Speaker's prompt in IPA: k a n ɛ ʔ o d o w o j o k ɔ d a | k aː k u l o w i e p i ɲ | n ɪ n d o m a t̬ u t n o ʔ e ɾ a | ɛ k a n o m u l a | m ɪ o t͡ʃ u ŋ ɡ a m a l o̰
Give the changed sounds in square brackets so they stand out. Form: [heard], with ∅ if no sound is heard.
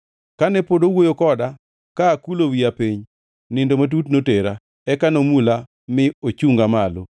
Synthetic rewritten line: k a n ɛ [p] o d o w o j o k ɔ d a | k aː k u l o w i [a] p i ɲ | n ɪ n d o m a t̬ u t n o [t] e ɾ a | ɛ k a n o m u l a | m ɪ o t͡ʃ u ŋ ɡ a m a l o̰